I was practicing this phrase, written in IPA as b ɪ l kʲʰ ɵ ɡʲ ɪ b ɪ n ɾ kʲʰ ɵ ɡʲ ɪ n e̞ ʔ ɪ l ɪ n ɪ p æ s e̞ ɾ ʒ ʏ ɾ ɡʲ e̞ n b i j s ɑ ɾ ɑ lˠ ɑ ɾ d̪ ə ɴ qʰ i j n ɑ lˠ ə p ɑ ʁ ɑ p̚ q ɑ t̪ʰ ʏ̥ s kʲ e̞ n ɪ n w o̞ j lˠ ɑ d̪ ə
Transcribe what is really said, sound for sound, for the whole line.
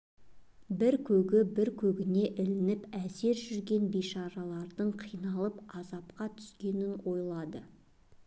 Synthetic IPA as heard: b ɪ ɾ kʲʰ ɵ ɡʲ ɪ b ɪ ɾ kʲʰ ɵ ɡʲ ɪ n e̞ ʔ ɪ l ɪ n ɪ p æ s e̞ ɾ ʒ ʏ ɾ ɡʲ e̞ n b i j ʃ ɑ ɾ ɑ lˠ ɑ ɾ d̪ ə ɴ qʰ i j n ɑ lˠ ə p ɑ z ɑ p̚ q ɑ t̪ʰ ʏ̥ s kʲ e̞ n ɪ n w o̞ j lˠ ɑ d̪ ə